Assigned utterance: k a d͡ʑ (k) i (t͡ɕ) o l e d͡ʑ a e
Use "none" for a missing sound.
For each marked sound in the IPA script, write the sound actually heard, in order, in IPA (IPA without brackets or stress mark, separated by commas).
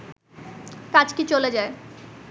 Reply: k, t͡ɕ